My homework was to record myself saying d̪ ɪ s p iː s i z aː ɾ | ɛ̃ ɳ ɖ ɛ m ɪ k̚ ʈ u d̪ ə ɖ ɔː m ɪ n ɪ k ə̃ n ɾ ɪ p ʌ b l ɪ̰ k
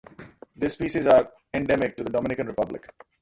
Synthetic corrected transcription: d̪ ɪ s p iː s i z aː ɾ | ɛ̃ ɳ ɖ ɛ m ɪ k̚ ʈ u d̪ ə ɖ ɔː m ɪ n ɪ k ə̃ n ɾ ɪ p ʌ b l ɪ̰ k